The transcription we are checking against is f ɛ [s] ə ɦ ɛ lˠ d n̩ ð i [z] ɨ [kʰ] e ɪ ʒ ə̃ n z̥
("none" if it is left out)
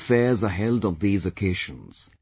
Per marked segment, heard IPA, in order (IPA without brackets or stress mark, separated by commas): z, z, kʰ